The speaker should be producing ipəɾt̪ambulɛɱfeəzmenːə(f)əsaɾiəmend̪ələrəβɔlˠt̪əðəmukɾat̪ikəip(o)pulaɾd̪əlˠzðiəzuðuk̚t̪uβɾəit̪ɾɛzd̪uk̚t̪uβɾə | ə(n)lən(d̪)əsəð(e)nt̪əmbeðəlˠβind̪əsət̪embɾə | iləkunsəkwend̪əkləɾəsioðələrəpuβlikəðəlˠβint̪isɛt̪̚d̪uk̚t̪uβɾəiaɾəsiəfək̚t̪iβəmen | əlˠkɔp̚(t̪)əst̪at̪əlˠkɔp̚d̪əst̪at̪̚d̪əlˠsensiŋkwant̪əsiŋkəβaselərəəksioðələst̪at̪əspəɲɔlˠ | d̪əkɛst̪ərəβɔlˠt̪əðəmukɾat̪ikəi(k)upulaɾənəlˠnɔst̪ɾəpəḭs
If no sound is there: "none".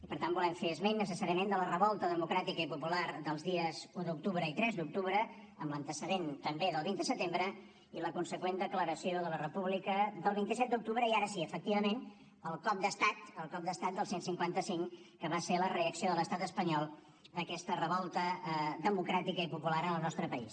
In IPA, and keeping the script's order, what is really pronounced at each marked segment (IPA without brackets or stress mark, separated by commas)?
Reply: s, u, m, t̪, e, d̪, p